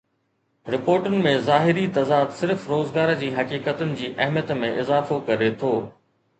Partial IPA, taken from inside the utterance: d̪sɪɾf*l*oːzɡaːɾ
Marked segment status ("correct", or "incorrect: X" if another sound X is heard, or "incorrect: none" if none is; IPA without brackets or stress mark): incorrect: ɾ